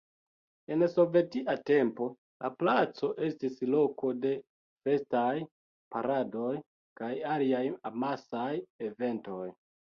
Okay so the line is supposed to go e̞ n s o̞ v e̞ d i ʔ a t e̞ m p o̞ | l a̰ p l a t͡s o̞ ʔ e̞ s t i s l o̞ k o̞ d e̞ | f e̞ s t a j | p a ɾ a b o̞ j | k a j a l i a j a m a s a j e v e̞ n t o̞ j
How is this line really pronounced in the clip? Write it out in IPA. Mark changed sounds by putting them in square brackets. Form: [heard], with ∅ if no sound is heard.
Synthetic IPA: e̞ n s o̞ v e̞ [t] i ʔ a t e̞ m p o̞ | l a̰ p l a t͡s o̞ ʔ e̞ s t i s l o̞ k o̞ d e̞ | f e̞ s t a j | p a ɾ a [d] o̞ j | k a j a l i a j a m a s a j e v e̞ n t o̞ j

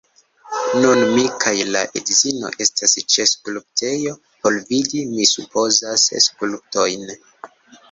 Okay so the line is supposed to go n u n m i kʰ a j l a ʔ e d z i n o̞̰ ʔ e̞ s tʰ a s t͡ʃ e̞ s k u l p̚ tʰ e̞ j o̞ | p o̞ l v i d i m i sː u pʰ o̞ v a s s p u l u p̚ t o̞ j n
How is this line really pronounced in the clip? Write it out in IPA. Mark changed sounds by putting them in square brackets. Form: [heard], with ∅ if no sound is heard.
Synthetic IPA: n u n m i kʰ a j l a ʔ e d z i n o̞̰ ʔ e̞ s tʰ a s t͡ʃ e̞ s k u l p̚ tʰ e̞ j o̞ | p o̞ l v i d i m i [s] u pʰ o̞ [z] a s s [k] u l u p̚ t o̞ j n

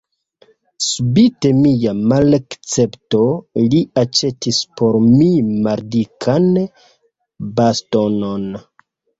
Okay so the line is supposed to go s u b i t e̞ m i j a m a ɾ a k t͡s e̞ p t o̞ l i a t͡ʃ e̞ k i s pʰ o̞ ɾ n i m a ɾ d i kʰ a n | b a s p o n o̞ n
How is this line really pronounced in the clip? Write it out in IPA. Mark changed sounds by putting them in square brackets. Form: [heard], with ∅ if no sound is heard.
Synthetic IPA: s u b i t e̞ m i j a m a [l] a k t͡s e̞ p t o̞ l i a t͡ʃ e̞ [t] i s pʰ o̞ ɾ [m] i m a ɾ d i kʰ a n | b a s [t] o n o̞ n

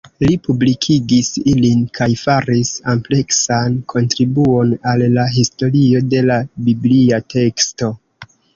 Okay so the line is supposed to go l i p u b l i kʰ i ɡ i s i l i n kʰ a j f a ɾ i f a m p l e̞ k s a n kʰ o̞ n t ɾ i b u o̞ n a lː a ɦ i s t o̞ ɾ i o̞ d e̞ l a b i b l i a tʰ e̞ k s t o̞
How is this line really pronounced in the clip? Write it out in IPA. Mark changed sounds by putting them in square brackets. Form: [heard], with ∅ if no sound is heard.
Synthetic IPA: l i p u b l i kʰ i ɡ i s i l i n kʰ a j f a ɾ i [s] a m p l e̞ k s a n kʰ o̞ n t ɾ i b u o̞ n a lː a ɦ i s t o̞ ɾ i o̞ d e̞ l a b i b l i a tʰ e̞ k s t o̞

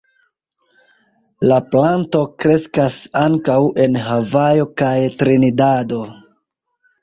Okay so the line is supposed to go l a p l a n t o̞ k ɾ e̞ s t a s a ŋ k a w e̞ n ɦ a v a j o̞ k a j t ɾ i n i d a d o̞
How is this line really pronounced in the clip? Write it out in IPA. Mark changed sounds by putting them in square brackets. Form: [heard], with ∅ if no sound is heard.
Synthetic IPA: l a p l a n t o̞ k ɾ e̞ s [k] a s a ŋ k a w e̞ n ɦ a v a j o̞ k a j t ɾ i n i d a d o̞

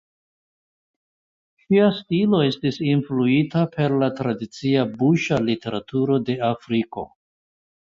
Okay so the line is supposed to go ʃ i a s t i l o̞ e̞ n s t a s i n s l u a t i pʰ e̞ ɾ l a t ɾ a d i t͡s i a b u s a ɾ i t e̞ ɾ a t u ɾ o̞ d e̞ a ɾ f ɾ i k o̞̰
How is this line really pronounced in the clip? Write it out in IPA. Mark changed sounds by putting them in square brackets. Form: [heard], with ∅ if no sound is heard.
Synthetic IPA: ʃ i a s t i l o̞ e̞ [∅] s t [i] s i n [f] l u [i] t [a] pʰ e̞ ɾ l a t ɾ a d i t͡s i a b u [ʃ] a [l] i t e̞ ɾ a t u ɾ o̞ d e̞ a [∅] f ɾ i k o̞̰

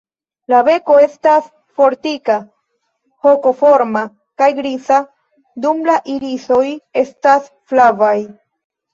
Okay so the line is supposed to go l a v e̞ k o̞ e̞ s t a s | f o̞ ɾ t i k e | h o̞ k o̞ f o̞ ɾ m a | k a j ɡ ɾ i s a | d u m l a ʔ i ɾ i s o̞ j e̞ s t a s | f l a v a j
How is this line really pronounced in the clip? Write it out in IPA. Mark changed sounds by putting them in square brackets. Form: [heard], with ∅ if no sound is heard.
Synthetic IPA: l a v e̞ k o̞ e̞ s t a s | f o̞ ɾ t i k [a] | h o̞ k o̞ f o̞ ɾ m a | k a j ɡ ɾ i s a | d u m l a ʔ i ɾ i s o̞ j e̞ s t a s | f l a v a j

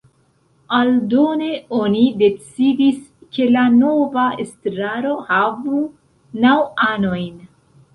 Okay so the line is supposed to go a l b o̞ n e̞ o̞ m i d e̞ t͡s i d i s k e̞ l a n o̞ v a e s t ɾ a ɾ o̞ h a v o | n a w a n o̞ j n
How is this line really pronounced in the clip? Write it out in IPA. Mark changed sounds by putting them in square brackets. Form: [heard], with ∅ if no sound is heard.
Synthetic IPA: a l [d] o̞ n e̞ o̞ [n] i d e̞ t͡s i d i s k e̞ l a n o̞ v a e s t ɾ a ɾ o̞ h a v [u] | n a w a n o̞ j n

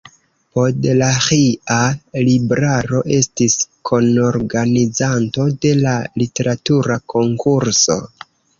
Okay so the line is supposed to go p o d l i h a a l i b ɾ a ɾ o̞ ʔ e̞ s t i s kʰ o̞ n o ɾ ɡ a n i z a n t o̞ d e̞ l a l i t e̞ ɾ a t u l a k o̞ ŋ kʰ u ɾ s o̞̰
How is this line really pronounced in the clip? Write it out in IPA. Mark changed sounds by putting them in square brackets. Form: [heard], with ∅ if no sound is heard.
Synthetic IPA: p o d l [a] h [i] a l i b ɾ a ɾ o̞ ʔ e̞ s t i s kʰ o̞ n o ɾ ɡ a n i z a n t o̞ d e̞ l a l i t e̞ ɾ a t u [ɾ] a k o̞ ŋ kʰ u ɾ s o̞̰

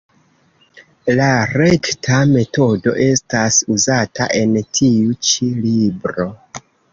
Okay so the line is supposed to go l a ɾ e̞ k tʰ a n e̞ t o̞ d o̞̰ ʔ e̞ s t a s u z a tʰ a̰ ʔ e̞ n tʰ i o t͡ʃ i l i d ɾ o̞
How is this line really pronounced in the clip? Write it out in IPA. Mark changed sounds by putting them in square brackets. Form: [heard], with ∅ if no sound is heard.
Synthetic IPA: l a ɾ e̞ k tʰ a [m] e̞ t o̞ d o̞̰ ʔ e̞ s t a s u z a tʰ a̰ ʔ e̞ n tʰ i [u] t͡ʃ i l i [b] ɾ o̞

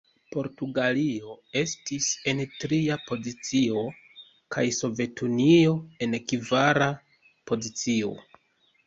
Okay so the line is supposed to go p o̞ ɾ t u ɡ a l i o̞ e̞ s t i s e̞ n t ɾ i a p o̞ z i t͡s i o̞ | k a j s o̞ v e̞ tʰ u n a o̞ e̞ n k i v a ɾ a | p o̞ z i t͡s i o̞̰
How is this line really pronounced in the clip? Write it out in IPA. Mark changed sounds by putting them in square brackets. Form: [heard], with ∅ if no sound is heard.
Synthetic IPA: p o̞ ɾ t u ɡ a l i o̞ e̞ s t i s e̞ n t ɾ i a p o̞ z i t͡s i o̞ | k a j s o̞ v e̞ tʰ u n [i] o̞ e̞ n k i v a ɾ a | p o̞ z i t͡s i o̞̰

